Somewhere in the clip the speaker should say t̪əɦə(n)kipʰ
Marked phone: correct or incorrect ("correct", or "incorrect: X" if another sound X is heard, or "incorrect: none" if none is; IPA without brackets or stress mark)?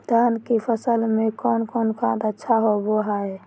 correct